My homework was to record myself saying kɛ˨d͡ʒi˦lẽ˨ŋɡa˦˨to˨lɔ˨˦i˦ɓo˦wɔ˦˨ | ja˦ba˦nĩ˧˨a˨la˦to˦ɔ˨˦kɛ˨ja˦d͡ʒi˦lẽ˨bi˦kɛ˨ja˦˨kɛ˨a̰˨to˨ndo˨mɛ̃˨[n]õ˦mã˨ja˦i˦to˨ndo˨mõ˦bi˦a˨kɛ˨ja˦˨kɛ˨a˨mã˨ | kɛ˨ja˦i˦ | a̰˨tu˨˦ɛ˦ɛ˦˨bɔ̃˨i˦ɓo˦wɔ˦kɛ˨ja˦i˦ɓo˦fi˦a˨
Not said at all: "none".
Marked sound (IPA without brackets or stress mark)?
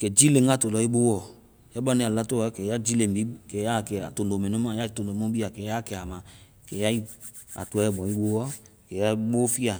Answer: n